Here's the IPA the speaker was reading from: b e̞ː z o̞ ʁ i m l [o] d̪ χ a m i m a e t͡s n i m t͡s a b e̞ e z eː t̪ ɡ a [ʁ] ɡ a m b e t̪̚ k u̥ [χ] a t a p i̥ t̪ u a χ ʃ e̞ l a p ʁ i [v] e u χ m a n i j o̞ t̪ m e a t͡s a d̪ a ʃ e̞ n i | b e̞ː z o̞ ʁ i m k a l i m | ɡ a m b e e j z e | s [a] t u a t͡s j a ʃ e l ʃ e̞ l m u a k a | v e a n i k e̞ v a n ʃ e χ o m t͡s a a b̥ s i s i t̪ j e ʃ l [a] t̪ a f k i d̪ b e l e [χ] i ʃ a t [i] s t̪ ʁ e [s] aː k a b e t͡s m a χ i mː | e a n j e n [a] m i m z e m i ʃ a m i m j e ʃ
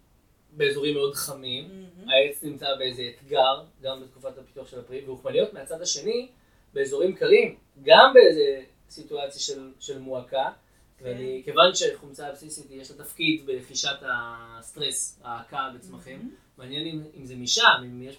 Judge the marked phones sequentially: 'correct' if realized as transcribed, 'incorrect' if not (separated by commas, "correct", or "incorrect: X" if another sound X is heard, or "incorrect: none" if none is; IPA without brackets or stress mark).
correct, correct, incorrect: f, correct, incorrect: i, correct, correct, incorrect: a, correct, incorrect: i